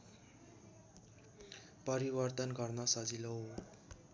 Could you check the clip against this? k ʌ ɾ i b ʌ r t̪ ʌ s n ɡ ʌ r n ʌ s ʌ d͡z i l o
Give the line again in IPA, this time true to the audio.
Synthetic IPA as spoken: p ʌ ɾ i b ʌ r t̪ ʌ n ɡ ʌ r n ʌ s ʌ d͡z i l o